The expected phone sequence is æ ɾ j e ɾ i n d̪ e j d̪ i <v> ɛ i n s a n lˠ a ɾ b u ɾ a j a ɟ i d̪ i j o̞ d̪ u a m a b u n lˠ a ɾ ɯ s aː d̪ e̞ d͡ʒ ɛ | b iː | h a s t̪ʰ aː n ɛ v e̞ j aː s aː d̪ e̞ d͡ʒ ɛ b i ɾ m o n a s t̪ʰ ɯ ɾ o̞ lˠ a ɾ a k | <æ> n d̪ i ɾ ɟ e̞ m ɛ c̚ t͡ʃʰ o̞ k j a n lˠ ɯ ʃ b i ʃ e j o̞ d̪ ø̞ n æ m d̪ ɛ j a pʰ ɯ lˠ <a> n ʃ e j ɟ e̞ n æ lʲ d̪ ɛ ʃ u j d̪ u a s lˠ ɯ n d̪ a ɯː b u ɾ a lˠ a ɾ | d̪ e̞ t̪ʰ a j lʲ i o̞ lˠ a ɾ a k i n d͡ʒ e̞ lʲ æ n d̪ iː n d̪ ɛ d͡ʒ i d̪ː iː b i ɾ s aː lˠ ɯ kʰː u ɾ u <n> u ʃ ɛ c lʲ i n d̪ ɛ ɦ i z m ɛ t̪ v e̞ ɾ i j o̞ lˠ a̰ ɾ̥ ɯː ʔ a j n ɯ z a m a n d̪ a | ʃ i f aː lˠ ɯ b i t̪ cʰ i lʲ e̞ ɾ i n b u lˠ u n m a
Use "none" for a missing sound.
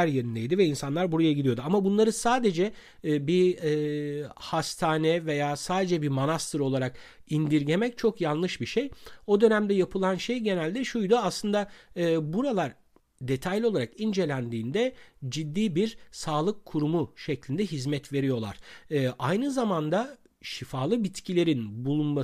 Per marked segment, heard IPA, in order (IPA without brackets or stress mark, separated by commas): v, i, a, m